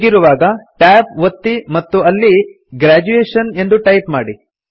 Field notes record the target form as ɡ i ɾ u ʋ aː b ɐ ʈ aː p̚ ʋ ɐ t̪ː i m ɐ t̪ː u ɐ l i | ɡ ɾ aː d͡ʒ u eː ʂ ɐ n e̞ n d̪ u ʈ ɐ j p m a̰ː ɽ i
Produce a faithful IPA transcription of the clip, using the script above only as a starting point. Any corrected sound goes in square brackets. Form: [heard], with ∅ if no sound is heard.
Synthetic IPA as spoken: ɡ i ɾ u ʋ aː [ɡ] ɐ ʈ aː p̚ ʋ ɐ t̪ː i m ɐ t̪ː u ɐ [lː] i | ɡ ɾ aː d͡ʒ u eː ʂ ɐ n e̞ n d̪ u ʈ ɐ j p m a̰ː ɽ i

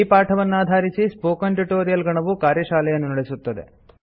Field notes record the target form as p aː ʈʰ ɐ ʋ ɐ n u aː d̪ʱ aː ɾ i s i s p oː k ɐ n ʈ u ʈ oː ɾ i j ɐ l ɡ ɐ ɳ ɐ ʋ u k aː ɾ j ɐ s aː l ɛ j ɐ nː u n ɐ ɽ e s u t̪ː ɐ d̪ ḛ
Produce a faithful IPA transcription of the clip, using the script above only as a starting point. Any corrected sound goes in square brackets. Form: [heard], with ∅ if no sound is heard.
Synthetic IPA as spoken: p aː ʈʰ ɐ ʋ ɐ [nː] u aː d̪ʱ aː ɾ i s i s p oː k ɐ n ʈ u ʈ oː ɾ i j ɐ l ɡ ɐ ɳ ɐ ʋ u k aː ɾ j ɐ [ʃ] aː l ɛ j ɐ nː u n ɐ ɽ e s u t̪ː ɐ d̪ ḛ

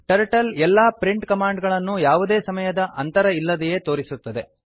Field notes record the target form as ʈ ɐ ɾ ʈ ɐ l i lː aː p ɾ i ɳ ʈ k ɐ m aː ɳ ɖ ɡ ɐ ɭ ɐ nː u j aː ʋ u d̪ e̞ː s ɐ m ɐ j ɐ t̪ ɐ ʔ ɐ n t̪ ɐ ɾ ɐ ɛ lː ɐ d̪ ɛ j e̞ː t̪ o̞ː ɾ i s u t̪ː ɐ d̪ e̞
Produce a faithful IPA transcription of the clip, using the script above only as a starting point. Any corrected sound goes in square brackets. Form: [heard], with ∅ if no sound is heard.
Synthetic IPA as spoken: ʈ ɐ ɾ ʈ ɐ l [ɛ] lː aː p ɾ i ɳ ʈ k ɐ m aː ɳ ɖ ɡ ɐ ɭ ɐ nː u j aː ʋ u d̪ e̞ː s ɐ m ɐ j ɐ [d̪] ɐ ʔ ɐ n t̪ ɐ ɾ ɐ [i] lː ɐ d̪ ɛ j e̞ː t̪ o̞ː ɾ i s u t̪ː ɐ d̪ e̞

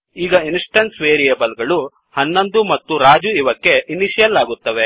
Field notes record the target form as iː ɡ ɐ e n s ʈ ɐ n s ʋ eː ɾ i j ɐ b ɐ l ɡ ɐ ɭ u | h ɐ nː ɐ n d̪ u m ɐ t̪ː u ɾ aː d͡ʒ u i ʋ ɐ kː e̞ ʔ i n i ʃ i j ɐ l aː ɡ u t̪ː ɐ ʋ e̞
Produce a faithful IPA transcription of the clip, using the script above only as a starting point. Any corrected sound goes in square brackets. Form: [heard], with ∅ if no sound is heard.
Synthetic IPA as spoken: iː ɡ ɐ [i] n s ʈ ɐ n s ʋ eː ɾ i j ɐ b ɐ l ɡ ɐ ɭ u | h ɐ nː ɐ n d̪ u m ɐ t̪ː u ɾ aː d͡ʒ u i ʋ ɐ kː e̞ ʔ i n i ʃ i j ɐ l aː ɡ u t̪ː ɐ ʋ e̞

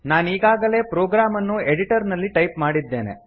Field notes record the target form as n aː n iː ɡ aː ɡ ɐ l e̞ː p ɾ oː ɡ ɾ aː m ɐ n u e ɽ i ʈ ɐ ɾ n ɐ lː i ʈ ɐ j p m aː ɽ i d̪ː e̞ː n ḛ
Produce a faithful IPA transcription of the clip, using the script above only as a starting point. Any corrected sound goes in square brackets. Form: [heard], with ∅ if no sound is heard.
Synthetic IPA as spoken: n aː n iː ɡ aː ɡ ɐ l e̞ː p ɾ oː ɡ ɾ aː m ɐ [nː] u e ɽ i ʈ ɐ ɾ n ɐ lː i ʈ ɐ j p m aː ɽ i d̪ː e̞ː n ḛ

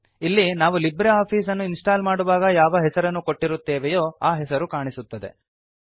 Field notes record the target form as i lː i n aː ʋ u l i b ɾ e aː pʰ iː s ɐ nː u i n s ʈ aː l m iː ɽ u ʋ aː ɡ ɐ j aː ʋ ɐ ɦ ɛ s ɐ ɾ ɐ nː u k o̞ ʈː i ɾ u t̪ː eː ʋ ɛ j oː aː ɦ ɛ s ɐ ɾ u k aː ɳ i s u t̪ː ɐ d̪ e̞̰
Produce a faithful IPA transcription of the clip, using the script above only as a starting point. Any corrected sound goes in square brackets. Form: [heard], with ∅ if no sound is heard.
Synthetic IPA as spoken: i lː i n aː ʋ u l i b ɾ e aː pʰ iː s ɐ nː u i n s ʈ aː l m [aː] ɽ u ʋ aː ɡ ɐ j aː ʋ ɐ ɦ ɛ s ɐ ɾ ɐ nː u k o̞ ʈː i ɾ u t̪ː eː ʋ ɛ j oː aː ɦ ɛ s ɐ ɾ u k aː ɳ i s u t̪ː ɐ d̪ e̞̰

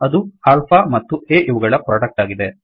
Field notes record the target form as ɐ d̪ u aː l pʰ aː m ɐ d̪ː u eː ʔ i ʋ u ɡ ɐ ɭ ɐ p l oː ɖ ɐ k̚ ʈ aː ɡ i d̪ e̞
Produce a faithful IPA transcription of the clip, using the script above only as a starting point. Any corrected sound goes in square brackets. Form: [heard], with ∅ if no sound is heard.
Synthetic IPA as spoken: ɐ d̪ u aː l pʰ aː m ɐ [t̪ː] u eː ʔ i ʋ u ɡ ɐ ɭ ɐ p [ɾ] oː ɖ ɐ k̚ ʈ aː ɡ i d̪ e̞

